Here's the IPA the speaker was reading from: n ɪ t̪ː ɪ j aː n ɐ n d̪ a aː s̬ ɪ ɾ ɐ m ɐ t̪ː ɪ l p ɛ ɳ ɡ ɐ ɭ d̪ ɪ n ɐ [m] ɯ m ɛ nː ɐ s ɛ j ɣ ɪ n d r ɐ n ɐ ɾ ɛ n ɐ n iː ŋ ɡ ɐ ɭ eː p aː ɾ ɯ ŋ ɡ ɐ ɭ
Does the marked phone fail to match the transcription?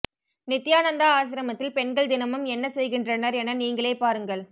no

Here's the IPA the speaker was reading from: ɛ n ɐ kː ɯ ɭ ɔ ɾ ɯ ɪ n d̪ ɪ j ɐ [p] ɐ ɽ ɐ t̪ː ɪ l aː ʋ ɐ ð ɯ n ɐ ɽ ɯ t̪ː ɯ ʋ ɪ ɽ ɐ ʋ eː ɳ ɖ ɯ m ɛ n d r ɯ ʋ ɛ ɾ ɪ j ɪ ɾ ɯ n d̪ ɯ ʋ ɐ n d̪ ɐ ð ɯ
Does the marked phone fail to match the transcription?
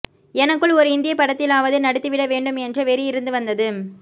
no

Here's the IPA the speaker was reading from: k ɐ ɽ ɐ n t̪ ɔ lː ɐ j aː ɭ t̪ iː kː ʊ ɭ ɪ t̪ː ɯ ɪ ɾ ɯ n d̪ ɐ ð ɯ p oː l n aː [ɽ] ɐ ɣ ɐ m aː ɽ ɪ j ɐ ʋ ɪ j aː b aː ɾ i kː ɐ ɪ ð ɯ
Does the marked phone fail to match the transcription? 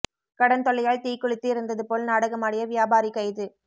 no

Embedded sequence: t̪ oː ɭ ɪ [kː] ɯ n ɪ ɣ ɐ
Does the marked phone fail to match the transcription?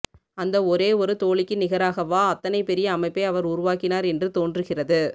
no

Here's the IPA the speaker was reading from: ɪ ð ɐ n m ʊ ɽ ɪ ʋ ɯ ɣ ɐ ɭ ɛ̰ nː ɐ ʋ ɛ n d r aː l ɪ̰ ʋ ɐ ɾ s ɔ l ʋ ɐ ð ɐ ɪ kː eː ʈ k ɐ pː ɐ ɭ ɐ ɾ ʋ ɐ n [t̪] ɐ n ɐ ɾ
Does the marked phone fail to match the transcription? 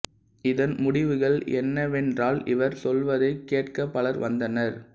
yes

